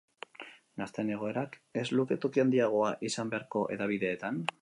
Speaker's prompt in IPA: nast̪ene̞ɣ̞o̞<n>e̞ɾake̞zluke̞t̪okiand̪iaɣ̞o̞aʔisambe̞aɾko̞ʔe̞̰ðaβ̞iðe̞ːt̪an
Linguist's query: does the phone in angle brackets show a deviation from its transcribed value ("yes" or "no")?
yes